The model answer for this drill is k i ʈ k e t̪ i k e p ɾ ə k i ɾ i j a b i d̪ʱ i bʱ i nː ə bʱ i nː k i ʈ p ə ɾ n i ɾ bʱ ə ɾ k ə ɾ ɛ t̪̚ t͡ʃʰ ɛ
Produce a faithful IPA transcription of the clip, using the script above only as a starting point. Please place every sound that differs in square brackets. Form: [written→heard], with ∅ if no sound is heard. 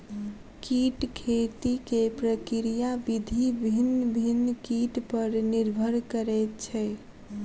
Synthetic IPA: k i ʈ [k→kʰ] e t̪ i k e p ɾ ə k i ɾ i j a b i d̪ʱ i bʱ i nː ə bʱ i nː k i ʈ p ə ɾ n i ɾ bʱ ə ɾ k ə ɾ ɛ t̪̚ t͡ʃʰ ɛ